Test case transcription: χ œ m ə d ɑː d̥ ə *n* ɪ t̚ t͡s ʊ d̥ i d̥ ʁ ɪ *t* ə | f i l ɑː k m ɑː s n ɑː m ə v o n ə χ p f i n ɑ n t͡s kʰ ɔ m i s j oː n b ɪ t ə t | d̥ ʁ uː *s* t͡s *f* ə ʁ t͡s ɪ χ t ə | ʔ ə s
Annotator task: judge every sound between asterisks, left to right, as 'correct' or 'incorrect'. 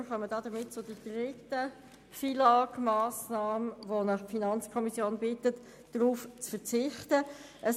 incorrect, correct, incorrect, correct

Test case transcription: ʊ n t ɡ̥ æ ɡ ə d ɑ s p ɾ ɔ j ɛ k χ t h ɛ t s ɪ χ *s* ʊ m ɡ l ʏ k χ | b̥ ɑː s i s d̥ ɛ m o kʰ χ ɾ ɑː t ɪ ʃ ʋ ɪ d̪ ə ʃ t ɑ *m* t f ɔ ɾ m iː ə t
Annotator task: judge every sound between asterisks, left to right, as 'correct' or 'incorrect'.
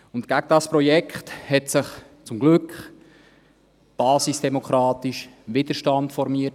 incorrect, incorrect

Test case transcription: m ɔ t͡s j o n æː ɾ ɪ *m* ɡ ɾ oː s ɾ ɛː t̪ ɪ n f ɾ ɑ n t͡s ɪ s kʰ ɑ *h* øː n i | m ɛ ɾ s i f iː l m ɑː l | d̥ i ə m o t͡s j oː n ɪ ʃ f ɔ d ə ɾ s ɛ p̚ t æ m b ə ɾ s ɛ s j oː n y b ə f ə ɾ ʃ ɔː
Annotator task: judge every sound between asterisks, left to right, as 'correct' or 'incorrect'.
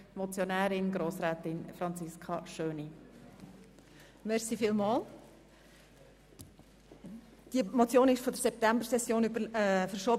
incorrect, incorrect

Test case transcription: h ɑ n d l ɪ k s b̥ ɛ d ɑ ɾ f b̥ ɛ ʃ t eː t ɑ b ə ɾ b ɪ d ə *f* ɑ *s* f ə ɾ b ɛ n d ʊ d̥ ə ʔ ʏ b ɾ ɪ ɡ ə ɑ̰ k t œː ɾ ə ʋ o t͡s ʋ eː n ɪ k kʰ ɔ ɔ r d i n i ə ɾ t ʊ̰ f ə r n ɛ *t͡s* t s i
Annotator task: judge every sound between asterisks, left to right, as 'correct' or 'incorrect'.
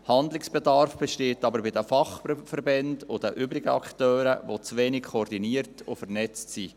correct, incorrect, correct

